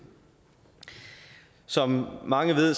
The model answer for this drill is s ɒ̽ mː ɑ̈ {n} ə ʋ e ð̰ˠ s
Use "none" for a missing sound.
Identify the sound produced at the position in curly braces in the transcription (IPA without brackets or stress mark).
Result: ŋ